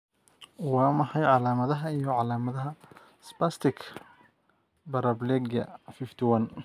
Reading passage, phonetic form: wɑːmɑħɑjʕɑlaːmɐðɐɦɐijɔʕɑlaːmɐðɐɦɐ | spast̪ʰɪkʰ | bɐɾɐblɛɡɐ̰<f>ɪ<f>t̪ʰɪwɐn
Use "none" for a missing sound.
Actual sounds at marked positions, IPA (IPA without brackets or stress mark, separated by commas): f, f